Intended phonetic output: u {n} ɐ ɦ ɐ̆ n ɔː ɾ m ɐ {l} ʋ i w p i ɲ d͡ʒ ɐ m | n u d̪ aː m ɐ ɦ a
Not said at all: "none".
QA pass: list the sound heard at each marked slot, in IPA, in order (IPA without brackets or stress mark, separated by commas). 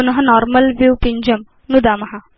n, l